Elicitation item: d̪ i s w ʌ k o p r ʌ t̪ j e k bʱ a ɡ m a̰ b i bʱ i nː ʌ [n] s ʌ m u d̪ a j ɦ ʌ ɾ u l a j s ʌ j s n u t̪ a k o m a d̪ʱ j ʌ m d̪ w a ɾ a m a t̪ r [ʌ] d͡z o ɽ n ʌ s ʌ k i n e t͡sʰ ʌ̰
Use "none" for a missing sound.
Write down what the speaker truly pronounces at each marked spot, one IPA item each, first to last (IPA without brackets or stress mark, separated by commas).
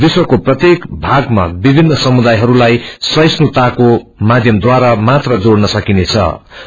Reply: none, ʌ